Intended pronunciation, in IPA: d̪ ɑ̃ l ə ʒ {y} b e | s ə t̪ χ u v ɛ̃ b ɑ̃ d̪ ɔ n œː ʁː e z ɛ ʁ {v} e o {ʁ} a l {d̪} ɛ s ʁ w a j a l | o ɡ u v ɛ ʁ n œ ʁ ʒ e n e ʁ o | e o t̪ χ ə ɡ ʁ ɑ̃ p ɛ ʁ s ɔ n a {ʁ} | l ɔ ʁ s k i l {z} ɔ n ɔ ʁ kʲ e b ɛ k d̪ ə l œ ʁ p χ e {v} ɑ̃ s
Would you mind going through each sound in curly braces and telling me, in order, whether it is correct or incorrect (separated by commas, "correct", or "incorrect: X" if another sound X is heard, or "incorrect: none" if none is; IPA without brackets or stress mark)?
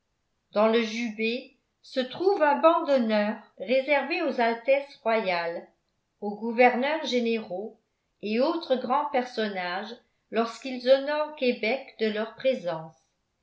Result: correct, correct, incorrect: z, incorrect: t̪, incorrect: ʒ, correct, incorrect: z